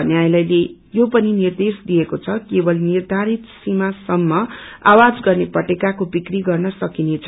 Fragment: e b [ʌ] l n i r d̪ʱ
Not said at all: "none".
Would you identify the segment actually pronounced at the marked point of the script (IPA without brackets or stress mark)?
ʌ